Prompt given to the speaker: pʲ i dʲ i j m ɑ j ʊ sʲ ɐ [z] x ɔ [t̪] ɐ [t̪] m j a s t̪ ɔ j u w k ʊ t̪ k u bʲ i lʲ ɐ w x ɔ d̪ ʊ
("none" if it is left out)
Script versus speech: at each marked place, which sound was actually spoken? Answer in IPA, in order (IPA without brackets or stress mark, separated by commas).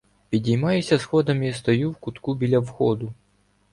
s, d̪, none